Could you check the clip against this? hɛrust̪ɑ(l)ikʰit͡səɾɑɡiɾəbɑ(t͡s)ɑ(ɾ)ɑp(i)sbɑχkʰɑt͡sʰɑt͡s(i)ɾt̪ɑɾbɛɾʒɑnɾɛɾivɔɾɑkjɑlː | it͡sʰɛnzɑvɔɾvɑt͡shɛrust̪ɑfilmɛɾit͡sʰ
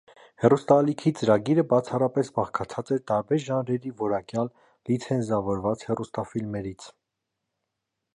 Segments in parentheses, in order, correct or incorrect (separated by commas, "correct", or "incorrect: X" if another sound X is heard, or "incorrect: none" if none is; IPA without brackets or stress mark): correct, incorrect: t͡sʰ, incorrect: r, incorrect: ɛ, incorrect: ɛ